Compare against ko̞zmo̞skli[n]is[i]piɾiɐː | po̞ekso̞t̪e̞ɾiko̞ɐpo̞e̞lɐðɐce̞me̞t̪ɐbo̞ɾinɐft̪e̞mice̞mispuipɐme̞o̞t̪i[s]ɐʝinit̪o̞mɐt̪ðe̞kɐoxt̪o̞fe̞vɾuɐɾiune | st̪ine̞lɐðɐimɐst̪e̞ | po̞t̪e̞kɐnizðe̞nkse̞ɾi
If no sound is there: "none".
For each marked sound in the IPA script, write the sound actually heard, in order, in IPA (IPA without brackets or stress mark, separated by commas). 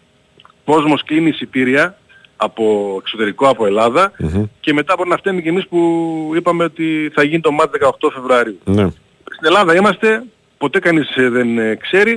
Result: n, i, θ